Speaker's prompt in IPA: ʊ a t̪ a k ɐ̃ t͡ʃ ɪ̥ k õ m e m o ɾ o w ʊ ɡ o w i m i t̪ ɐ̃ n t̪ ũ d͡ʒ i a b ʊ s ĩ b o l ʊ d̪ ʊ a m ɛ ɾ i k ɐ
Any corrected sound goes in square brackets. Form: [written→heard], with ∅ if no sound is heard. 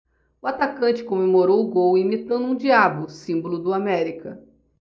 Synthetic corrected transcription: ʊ a t̪ a k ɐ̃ t͡ʃ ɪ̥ k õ m e m o ɾ o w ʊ ɡ o w i m i t̪ ɐ̃ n [t̪→d̪] ũ d͡ʒ i a b ʊ s ĩ b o l ʊ d̪ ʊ a m ɛ ɾ i k ɐ